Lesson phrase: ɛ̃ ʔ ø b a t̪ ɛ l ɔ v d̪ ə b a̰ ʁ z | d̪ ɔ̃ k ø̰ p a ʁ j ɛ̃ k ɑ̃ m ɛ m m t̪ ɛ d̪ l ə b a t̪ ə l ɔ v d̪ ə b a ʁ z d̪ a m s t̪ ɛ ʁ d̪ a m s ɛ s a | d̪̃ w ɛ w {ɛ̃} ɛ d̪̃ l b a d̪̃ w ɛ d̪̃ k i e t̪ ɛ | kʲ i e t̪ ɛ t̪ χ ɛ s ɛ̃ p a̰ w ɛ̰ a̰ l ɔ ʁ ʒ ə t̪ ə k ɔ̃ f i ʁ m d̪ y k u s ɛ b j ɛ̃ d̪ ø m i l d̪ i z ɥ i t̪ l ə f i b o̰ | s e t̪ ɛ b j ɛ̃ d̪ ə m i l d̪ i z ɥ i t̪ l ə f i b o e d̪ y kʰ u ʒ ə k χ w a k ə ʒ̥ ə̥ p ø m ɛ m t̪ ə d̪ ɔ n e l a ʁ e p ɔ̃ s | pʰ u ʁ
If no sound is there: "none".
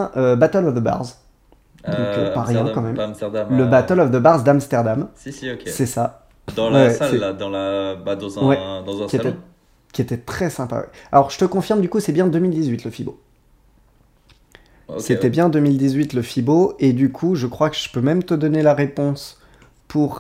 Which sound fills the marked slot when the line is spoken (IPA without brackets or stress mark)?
ɛ